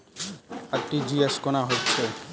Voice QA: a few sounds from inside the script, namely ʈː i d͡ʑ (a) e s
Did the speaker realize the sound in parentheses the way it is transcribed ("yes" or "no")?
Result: no